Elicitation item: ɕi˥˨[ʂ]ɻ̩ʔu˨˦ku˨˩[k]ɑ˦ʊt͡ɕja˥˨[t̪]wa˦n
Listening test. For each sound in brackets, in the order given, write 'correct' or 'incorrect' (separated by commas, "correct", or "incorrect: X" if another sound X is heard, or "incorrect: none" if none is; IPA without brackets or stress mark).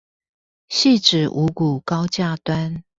incorrect: ʈ͡ʂ, correct, correct